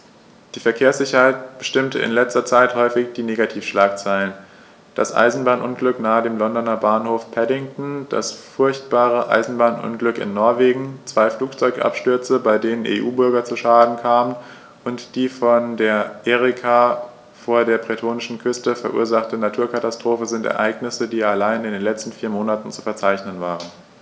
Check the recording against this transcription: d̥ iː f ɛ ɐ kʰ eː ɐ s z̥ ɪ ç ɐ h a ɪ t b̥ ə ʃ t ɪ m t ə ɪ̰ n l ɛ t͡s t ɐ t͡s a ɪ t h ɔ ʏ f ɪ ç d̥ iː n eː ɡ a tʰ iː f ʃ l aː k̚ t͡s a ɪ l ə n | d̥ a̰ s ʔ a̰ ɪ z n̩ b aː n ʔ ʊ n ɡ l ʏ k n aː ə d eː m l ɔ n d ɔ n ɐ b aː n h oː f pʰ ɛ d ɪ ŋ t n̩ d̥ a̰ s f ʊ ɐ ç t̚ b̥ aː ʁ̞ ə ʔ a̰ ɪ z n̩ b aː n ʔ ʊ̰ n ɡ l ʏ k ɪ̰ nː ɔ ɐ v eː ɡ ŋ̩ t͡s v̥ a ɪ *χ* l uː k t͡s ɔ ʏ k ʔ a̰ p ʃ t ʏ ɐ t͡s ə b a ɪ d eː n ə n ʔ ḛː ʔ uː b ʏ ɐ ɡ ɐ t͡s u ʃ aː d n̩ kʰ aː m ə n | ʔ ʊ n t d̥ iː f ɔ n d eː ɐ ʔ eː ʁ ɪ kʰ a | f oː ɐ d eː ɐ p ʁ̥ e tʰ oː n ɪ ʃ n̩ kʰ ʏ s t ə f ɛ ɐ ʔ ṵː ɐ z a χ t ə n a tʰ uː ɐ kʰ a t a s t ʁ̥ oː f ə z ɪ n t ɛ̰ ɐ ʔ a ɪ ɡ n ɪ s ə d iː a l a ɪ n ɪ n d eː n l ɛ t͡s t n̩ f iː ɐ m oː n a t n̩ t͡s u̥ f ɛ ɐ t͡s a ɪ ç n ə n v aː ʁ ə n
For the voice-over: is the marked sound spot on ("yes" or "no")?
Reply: no